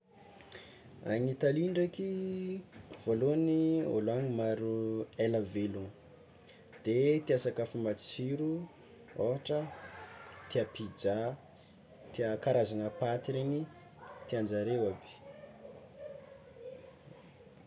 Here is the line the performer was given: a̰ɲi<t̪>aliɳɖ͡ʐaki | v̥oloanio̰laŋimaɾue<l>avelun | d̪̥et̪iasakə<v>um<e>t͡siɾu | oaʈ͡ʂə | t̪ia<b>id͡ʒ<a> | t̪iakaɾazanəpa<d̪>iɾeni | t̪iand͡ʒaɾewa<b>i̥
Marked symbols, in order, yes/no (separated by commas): yes, yes, no, no, no, yes, no, yes